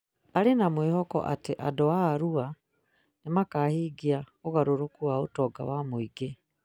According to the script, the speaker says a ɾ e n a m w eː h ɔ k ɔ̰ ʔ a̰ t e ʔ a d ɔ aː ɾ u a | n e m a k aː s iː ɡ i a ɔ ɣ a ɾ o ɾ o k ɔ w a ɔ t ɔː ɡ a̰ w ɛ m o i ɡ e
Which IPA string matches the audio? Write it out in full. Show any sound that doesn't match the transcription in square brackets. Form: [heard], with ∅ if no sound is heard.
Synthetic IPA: a ɾ e n a m w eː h ɔ k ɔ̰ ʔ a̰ t e ʔ a d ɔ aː ɾ u a | n e m a k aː [h] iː ɡ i a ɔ ɣ a ɾ o ɾ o k [u] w a [o] t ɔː ɡ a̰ w [a] m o i ɡ e